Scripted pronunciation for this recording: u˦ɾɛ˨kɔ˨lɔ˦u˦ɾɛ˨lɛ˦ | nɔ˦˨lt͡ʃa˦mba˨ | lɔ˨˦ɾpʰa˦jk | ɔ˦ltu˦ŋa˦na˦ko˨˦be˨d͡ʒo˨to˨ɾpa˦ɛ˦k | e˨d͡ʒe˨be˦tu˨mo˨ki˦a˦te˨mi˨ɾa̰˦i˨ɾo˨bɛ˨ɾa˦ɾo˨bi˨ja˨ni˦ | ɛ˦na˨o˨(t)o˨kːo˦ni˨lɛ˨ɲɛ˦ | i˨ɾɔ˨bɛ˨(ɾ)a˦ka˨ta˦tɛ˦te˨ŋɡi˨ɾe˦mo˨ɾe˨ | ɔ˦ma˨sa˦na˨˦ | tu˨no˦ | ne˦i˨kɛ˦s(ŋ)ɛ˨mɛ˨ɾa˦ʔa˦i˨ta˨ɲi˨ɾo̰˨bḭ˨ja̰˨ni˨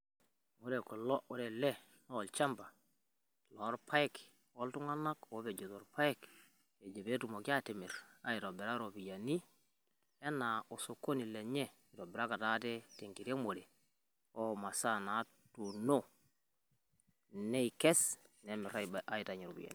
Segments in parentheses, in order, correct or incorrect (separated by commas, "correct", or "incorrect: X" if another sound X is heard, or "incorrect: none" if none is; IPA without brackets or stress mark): incorrect: s, correct, incorrect: n